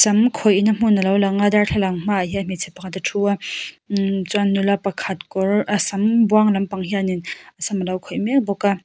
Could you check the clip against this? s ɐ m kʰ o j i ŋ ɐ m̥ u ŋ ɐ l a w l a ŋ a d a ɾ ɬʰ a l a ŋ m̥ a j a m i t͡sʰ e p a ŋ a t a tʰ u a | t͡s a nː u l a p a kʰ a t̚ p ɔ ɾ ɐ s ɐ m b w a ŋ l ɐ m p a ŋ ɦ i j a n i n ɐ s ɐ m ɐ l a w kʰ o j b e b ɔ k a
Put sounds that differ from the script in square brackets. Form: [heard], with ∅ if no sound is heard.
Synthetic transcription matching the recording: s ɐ m kʰ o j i [n] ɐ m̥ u [n] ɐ l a w l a ŋ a d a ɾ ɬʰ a l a ŋ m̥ a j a m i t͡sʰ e p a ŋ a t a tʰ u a | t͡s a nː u l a p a kʰ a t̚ [k] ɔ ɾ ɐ s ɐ m b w a ŋ l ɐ m p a ŋ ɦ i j a n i n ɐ s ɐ m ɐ l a w kʰ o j [m] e b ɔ k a